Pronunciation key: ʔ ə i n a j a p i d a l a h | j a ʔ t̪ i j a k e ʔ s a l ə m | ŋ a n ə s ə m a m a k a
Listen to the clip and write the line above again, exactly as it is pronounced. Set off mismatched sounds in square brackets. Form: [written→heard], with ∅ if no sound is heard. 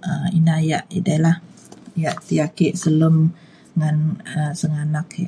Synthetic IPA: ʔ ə i n a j a [p→ʔ] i d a l a h | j a ʔ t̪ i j a k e ʔ s [a→ə] l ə m | ŋ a n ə s ə [m→ŋ] a [m→n] a k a

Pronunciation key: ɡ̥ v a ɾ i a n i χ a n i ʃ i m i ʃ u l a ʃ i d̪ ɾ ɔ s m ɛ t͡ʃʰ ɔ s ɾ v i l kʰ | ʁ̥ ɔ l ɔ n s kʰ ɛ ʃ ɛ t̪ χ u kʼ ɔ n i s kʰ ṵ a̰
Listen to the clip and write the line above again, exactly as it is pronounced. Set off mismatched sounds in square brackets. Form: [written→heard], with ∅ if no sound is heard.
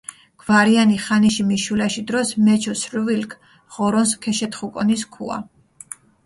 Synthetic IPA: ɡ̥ v a ɾ i a n i χ a n i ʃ i m i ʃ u l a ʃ i d̪ ɾ ɔ s m ɛ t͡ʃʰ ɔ s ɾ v i l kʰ | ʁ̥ ɔ [l→ɾ] ɔ n s kʰ ɛ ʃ ɛ t̪ χ u kʼ ɔ n i s kʰ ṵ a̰

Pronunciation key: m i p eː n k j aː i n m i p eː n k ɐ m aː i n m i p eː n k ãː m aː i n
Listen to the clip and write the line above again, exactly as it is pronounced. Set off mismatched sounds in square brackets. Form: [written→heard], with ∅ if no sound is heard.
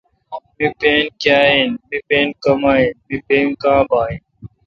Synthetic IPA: m i p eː n k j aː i n m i p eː n k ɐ m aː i n m i p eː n k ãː [m→b] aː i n

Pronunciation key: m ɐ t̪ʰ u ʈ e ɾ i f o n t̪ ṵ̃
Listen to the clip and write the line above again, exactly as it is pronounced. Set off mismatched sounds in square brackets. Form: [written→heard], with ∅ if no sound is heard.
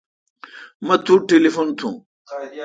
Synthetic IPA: m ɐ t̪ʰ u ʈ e [ɾ→l] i f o n [t̪→t̪ʰ] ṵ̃

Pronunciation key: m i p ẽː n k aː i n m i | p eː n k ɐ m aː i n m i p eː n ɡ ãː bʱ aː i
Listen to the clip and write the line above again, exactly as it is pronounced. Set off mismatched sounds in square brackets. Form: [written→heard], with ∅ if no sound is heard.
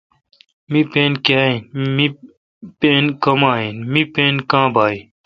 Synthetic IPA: m i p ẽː n k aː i n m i | p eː n k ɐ m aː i n m i p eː n [ɡ→k] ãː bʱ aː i

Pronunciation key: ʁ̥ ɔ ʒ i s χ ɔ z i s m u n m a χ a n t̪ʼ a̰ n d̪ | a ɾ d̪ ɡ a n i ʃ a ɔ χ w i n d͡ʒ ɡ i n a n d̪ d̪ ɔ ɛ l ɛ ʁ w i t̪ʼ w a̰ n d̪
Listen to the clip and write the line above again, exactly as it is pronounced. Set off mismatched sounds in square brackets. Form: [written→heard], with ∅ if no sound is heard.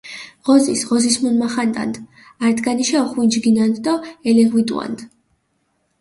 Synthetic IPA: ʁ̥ ɔ [ʒ→z] i s [χ→ʁ] ɔ z i s m u n m a χ a n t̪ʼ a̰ n d̪ | a ɾ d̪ ɡ a n i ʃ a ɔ χ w i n d͡ʒ ɡ i n a n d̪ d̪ ɔ ɛ l ɛ ʁ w i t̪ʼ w a̰ n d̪

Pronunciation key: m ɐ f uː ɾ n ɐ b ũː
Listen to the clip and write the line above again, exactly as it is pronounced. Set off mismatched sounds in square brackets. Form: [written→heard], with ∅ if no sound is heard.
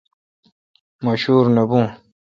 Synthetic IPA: m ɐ [f→ɕ] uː ɾ n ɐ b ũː

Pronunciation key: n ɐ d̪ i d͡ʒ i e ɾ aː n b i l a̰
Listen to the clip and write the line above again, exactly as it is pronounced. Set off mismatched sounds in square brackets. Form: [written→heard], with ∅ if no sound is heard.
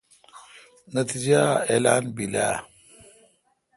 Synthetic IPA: n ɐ [d̪→t̪] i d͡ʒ [i→a] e [ɾ→l] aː n b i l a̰

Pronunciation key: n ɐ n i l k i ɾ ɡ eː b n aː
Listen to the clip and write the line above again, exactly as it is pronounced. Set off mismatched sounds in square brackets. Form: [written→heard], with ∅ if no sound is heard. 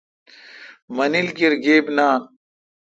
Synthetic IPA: [n→m] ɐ n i l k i ɾ ɡ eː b n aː

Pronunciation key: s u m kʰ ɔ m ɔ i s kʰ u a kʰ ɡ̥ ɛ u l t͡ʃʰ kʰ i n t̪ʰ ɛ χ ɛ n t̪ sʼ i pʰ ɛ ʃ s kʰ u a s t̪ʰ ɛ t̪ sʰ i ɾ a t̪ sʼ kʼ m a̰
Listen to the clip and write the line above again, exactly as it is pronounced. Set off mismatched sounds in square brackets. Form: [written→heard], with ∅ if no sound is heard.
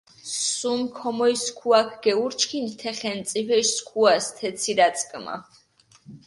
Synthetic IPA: s u m kʰ ɔ m ɔ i s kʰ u a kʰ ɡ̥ ɛ u [l→ɾ] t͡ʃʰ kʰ i n t̪ʰ ɛ χ ɛ n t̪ sʼ i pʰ ɛ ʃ s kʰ u a s t̪ʰ ɛ t̪ sʰ i ɾ a t̪ sʼ kʼ m a̰

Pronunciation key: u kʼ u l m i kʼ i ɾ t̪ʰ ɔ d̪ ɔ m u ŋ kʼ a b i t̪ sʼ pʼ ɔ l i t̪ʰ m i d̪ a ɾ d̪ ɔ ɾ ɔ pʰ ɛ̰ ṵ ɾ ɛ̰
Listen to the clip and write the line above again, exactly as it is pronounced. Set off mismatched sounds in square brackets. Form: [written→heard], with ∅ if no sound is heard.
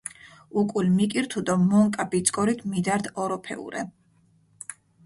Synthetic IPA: u kʼ u l m i kʼ i ɾ t̪ʰ [ɔ→u] d̪ ɔ m [u→ɔ] ŋ kʼ a b i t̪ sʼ [pʼ→kʼ] ɔ [l→ɾ] i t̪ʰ m i d̪ a ɾ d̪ ɔ ɾ ɔ pʰ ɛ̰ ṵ ɾ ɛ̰

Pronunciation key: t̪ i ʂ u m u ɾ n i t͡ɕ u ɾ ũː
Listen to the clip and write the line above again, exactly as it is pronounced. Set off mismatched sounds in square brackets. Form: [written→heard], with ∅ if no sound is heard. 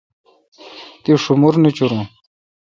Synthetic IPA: t̪ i ʂ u m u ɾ n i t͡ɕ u ɾ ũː

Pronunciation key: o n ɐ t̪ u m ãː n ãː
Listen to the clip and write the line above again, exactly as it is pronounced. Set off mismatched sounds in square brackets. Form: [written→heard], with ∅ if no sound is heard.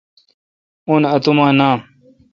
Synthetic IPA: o n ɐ t̪ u m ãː n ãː

